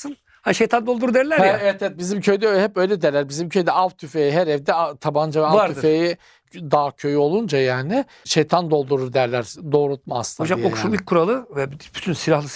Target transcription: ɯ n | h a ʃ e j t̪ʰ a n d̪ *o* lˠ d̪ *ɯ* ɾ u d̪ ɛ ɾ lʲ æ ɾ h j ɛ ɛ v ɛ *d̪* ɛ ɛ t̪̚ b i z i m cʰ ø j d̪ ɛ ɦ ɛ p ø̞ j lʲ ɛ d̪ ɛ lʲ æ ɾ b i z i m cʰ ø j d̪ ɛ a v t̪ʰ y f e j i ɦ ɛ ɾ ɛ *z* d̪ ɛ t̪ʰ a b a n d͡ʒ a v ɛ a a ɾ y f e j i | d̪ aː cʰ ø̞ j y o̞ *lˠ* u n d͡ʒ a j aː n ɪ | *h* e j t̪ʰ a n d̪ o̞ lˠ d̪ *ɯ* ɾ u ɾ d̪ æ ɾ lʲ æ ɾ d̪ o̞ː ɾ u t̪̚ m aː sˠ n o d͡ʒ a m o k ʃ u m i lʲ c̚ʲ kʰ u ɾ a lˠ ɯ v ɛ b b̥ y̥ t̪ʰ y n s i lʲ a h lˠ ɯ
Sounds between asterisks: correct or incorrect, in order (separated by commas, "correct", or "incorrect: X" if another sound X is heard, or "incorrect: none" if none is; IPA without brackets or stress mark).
correct, incorrect: u, incorrect: t̪, incorrect: v, correct, incorrect: ʃ, incorrect: u